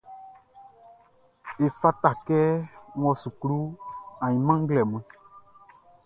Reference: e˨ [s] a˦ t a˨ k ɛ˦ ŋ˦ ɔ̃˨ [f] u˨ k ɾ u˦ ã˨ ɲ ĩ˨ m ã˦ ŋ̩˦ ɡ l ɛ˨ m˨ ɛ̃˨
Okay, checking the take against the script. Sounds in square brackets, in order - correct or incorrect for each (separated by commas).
incorrect, incorrect